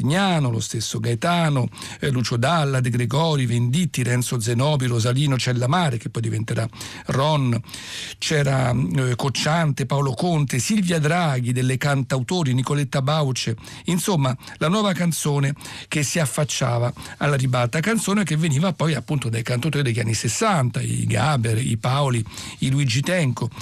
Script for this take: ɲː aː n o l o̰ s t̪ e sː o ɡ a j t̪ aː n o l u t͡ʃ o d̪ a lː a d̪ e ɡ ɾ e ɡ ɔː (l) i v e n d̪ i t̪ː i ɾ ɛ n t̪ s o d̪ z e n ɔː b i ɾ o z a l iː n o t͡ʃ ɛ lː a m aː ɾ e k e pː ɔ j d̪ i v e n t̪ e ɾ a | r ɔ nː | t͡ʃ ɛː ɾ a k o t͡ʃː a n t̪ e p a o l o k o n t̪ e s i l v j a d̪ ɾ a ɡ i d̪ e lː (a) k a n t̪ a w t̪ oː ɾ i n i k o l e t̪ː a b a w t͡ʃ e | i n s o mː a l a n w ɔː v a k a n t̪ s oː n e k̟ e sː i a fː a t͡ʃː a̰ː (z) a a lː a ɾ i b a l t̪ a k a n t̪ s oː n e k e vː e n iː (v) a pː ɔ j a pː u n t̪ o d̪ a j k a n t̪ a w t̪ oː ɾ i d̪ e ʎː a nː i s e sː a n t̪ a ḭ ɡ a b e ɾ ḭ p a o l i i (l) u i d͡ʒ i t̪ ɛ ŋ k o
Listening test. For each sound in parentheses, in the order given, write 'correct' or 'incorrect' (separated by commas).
incorrect, incorrect, incorrect, correct, correct